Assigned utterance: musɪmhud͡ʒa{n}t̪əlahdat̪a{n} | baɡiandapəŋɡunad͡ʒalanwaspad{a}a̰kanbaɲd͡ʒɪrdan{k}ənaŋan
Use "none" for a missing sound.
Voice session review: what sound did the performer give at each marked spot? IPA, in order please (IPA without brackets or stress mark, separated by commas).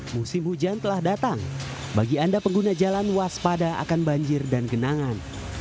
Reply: n, ŋ, a, ɡ